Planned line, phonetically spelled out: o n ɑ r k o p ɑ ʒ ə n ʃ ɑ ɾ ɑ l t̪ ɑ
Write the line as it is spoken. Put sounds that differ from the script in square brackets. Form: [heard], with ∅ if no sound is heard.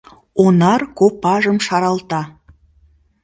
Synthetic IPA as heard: o n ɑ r k o p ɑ ʒ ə [m] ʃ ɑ ɾ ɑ l t̪ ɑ